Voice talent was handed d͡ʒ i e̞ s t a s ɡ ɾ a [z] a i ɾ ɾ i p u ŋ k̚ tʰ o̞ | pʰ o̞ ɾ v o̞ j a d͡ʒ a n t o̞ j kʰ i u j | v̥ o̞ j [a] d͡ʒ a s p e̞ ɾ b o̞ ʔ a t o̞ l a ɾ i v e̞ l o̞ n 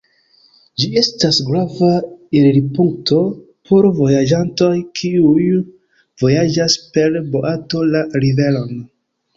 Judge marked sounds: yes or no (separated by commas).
no, yes